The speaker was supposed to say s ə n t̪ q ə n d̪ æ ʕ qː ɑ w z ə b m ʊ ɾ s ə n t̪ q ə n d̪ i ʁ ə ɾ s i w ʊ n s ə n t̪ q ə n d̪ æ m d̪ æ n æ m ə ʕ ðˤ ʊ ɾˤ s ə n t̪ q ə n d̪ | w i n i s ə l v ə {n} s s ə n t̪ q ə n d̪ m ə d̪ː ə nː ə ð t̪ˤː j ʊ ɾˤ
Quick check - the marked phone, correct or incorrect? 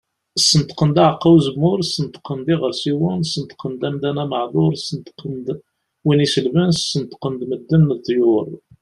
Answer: correct